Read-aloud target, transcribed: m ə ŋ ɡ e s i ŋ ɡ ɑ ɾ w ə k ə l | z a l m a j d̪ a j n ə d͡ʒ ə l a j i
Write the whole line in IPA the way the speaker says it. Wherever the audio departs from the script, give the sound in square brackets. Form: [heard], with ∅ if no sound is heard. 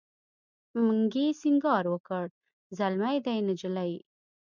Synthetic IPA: m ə ŋ ɡ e s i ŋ ɡ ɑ ɾ w ə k ə [ɽ] | z a l m a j d̪ a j n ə d͡ʒ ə l a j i